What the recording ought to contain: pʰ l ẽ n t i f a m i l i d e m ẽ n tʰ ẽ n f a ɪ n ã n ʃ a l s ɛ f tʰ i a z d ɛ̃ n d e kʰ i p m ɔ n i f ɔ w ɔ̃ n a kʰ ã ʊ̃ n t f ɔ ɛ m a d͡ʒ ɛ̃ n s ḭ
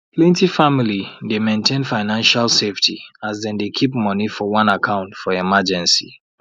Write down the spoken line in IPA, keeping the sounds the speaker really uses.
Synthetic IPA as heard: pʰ l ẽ n t i f a m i l i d e m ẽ n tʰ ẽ n f a ɪ n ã n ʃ a l s e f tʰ i a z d ɛ̃ n d e kʰ i p m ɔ n i f ɔ w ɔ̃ n a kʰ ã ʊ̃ n t f ɔ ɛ m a d͡ʒ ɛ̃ n s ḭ